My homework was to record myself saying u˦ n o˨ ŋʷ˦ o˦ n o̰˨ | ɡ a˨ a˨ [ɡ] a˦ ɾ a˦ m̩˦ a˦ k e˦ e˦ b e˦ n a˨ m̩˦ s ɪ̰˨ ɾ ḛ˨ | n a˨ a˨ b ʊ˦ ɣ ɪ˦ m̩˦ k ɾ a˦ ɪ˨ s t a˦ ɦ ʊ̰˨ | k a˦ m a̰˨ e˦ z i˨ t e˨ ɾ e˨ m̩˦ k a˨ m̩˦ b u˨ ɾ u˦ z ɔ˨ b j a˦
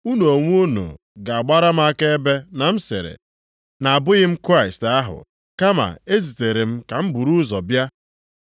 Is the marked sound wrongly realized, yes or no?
yes